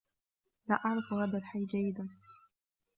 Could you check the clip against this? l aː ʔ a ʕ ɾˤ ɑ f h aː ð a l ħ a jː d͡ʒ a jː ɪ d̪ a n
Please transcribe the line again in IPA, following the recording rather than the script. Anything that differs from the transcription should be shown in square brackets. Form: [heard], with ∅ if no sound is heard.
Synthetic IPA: l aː ʔ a ʕ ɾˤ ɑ f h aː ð a l ħ a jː d͡ʒ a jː ɪ d̪ a n